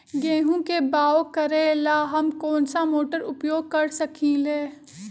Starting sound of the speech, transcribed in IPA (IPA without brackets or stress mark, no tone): ɡ